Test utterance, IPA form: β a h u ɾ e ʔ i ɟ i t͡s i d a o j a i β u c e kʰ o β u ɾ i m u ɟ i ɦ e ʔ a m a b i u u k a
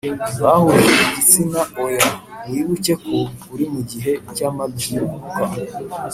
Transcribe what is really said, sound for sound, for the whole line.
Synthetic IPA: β a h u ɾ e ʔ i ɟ i t͡s i n a o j a i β u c e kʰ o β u ɾ i m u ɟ i ɦ e c a m a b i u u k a